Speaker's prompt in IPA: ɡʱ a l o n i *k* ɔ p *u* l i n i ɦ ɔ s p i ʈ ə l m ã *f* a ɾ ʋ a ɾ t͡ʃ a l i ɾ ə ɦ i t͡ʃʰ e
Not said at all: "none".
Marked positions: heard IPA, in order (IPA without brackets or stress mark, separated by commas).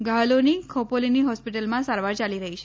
kʰ, o, s